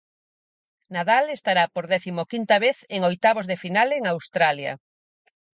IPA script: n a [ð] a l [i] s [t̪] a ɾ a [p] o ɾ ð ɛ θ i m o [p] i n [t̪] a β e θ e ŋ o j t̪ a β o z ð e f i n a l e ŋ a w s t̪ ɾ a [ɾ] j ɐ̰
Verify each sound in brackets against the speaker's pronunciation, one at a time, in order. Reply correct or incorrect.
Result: correct, incorrect: e, correct, correct, incorrect: k, correct, incorrect: l

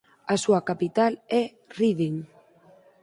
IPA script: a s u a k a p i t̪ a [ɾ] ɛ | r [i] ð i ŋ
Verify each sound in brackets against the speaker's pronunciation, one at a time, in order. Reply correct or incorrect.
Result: incorrect: l, correct

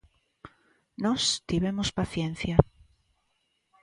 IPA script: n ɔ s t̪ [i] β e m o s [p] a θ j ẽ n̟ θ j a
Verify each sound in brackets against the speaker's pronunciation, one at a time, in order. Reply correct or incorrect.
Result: correct, correct

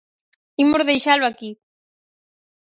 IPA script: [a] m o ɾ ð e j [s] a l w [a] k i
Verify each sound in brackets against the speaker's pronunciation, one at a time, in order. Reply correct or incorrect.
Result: incorrect: i, incorrect: ʃ, correct

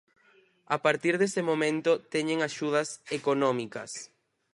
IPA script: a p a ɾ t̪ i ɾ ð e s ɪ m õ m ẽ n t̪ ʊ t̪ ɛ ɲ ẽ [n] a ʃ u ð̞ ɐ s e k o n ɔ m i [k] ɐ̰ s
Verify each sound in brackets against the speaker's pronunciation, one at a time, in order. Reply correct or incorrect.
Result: incorrect: ŋ, correct

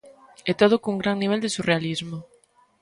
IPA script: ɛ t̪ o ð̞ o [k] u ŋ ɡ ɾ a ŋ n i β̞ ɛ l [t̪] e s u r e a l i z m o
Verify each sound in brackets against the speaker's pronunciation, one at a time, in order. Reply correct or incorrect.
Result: correct, incorrect: d̪

